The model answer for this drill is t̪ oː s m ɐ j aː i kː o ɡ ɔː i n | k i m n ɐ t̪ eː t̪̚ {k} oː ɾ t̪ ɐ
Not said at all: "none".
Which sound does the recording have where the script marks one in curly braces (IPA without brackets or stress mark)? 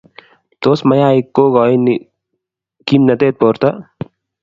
p